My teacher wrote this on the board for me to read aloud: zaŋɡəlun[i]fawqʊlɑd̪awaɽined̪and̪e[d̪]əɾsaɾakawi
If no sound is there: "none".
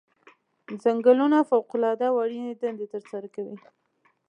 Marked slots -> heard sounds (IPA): a, t̪

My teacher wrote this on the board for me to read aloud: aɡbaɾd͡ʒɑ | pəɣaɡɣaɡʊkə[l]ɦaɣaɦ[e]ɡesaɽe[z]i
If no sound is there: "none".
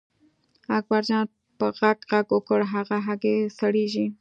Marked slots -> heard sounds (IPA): ɽ, a, ʒ

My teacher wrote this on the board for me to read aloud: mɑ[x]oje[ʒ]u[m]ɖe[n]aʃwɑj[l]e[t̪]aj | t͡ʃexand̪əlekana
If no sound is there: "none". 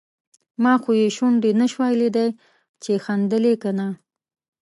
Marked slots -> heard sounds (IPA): x, ʃ, ɳ, n, l, d̪

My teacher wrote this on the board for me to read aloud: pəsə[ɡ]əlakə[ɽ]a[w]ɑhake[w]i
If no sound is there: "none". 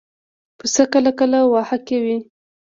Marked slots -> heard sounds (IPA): k, l, w, w

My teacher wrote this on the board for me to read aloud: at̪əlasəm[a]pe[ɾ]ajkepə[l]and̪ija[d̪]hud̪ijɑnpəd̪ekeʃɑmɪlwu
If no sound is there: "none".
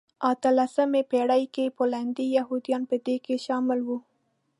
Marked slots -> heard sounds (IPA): e, ɽ, l, none

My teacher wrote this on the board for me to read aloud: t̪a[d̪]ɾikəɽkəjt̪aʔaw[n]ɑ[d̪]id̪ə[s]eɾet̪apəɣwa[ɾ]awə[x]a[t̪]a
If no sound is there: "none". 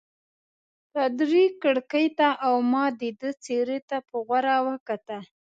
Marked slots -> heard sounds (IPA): d̪, m, d̪, t͡s, ɾ, k, t̪

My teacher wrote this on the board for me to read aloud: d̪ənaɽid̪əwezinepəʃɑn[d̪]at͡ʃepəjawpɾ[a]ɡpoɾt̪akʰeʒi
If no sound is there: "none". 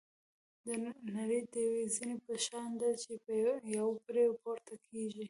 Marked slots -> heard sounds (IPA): d̪, e

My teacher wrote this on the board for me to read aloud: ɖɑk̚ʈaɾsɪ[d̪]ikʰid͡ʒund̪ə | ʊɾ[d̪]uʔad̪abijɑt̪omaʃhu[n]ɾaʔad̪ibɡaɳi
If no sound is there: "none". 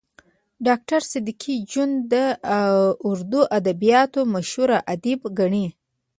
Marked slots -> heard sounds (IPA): d̪, d̪, none

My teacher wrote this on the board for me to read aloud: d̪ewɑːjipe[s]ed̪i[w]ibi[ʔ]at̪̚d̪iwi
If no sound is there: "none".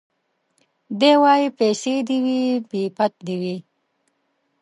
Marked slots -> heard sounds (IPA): s, w, p

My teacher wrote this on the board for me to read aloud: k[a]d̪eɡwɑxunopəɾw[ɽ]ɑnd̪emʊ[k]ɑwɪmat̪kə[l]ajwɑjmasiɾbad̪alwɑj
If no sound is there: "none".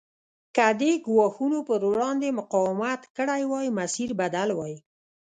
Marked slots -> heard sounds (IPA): a, ɽ, q, ɽ

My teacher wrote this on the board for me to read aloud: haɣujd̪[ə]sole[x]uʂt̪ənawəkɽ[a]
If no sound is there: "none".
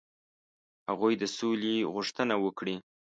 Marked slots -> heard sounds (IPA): ə, ɣ, i

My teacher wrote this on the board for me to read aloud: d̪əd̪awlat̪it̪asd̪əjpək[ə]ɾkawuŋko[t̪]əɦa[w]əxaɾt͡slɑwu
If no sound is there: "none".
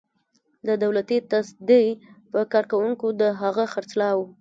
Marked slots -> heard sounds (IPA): ɑ, d̪, ɣ

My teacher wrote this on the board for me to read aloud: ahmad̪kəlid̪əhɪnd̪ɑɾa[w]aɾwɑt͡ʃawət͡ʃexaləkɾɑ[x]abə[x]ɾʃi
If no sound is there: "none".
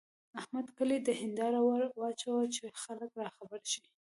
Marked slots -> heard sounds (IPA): w, x, none

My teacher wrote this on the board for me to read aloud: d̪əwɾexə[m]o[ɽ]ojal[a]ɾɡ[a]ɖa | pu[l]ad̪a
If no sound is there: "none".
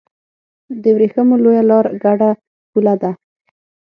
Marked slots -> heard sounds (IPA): m, l, ɑ, a, l

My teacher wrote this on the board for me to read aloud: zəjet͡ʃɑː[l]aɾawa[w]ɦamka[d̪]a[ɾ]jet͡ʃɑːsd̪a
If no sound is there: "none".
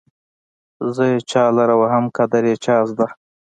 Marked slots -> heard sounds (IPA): l, none, d̪, ɾ

